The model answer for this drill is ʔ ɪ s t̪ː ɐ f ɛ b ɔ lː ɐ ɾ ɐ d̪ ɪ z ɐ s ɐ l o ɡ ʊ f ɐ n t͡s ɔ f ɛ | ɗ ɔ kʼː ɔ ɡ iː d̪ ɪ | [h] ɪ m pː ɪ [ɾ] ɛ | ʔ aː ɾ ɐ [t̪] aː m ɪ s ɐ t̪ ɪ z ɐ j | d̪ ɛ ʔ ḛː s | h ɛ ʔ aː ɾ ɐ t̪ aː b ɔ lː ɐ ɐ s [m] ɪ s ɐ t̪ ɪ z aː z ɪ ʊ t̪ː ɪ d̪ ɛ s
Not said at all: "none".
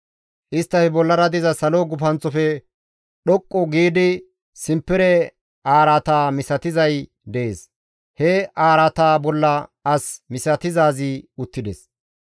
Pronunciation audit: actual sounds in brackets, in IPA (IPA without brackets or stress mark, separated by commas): s, ɾ, t̪, m